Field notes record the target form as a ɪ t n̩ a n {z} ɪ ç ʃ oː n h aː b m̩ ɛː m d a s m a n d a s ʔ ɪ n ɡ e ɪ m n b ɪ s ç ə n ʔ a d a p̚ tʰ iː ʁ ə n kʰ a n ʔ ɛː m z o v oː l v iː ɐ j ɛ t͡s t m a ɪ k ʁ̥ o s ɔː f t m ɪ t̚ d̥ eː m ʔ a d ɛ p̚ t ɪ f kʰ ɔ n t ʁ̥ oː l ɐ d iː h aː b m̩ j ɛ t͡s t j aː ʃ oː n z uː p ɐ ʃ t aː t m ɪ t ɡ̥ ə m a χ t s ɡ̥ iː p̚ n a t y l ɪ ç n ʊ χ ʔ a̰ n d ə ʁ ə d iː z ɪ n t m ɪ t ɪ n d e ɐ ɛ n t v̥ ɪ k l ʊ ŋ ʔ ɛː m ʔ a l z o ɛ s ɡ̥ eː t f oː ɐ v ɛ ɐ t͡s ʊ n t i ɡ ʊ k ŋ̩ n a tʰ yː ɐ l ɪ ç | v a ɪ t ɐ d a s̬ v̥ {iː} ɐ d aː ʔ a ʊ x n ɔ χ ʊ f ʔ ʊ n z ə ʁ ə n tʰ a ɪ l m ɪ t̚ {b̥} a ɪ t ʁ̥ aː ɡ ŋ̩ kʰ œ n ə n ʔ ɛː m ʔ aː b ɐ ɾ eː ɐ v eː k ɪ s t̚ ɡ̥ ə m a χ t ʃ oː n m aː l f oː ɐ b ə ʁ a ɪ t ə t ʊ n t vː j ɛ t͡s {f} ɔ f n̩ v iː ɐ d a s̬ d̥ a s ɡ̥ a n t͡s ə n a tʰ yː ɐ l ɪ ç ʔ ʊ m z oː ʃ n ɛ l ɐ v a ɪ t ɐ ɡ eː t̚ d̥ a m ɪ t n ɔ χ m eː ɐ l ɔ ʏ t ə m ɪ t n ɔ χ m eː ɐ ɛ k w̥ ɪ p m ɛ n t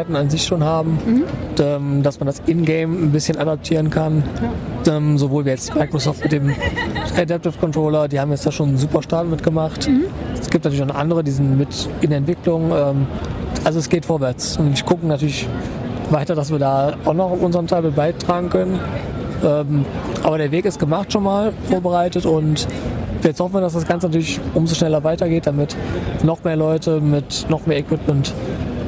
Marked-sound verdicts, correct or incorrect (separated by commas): correct, correct, correct, incorrect